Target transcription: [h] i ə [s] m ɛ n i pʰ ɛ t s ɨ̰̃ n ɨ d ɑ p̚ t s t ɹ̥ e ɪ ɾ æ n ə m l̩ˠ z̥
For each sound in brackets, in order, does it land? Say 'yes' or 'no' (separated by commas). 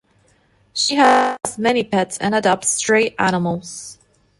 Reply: no, no